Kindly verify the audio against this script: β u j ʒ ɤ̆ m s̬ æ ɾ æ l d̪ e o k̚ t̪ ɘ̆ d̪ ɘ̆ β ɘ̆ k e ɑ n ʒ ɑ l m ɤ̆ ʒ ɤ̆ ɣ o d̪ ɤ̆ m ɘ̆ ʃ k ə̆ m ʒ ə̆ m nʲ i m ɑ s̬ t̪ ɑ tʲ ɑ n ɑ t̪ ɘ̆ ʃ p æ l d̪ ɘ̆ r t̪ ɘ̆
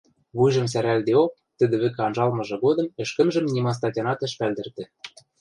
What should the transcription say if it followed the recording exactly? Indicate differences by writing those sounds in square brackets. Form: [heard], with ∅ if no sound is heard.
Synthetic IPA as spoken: β u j ʒ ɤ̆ m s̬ æ ɾ æ l d̪ e o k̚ t̪ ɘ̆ d̪ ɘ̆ β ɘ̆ k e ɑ n ʒ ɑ l m ɤ̆ ʒ ɤ̆ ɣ o d̪ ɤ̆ m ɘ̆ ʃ k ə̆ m ʒ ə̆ m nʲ i m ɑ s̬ t̪ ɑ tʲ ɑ n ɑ t̪ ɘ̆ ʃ p æ l d̪ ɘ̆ r t̪ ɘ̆